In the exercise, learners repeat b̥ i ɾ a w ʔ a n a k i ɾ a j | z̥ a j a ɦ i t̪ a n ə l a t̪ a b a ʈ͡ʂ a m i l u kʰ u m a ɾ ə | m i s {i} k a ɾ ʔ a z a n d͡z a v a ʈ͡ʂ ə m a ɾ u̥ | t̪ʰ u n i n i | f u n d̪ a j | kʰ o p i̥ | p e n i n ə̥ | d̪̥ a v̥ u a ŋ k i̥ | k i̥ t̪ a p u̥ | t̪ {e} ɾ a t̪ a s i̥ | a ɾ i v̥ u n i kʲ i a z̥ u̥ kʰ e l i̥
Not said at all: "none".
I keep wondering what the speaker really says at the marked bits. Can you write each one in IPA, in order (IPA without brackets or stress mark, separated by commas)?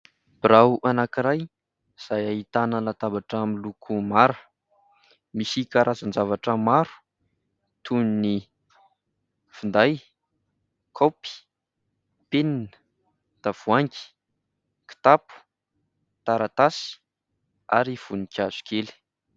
i, a